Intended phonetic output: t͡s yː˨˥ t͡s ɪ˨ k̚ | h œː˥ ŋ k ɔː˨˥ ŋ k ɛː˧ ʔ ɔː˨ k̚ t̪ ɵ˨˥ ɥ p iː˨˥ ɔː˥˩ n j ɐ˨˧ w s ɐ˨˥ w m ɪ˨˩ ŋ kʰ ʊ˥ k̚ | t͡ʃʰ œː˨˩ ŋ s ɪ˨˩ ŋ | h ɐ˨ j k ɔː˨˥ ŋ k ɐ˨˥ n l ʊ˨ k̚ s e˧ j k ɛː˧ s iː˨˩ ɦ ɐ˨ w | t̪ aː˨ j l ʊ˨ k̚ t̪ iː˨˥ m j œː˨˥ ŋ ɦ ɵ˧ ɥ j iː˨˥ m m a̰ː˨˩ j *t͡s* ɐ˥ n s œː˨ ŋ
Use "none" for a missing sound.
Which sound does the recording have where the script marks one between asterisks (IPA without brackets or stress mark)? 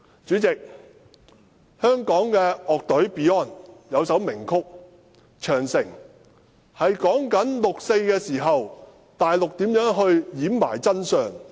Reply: t͡s